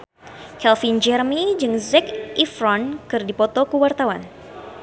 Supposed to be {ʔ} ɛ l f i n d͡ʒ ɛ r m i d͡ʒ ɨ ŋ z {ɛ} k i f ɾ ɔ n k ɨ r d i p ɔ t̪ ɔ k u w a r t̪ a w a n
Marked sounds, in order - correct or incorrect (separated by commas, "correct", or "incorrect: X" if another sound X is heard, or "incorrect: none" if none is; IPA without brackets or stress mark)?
incorrect: k, correct